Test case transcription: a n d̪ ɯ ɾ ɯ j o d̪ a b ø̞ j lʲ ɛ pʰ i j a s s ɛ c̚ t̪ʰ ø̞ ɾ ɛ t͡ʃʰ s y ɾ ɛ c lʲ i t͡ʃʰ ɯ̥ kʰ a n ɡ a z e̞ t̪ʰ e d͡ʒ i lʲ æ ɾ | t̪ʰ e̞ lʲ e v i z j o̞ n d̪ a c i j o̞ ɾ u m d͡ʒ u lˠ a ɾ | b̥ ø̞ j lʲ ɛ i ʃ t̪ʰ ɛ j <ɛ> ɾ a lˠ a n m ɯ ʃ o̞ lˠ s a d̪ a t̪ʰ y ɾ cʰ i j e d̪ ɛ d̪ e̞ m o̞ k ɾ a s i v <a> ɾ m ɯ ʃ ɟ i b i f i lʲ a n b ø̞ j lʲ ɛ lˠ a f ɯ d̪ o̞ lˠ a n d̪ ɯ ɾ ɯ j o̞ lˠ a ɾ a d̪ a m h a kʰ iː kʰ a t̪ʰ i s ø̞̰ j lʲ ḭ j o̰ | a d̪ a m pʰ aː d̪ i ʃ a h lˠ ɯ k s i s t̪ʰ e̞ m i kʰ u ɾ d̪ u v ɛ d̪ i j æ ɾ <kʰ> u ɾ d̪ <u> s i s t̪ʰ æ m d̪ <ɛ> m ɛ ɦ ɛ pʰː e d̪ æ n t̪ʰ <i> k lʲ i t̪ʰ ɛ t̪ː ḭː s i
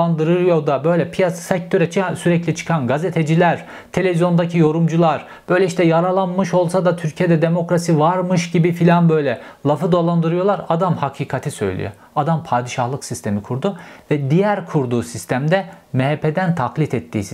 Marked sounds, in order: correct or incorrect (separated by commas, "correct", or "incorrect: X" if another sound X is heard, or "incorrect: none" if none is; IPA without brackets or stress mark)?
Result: incorrect: a, correct, correct, incorrect: uː, correct, incorrect: a